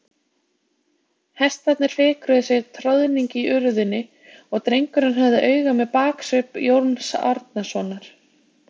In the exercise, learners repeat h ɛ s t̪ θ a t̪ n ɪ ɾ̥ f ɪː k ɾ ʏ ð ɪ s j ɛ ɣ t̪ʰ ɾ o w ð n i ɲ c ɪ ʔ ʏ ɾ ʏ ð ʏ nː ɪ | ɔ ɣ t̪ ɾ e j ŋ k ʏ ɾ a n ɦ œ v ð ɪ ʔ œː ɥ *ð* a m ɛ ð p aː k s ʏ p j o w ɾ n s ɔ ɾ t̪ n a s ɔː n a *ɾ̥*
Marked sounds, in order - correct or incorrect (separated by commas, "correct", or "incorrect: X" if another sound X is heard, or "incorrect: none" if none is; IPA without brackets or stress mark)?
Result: incorrect: ɣ, correct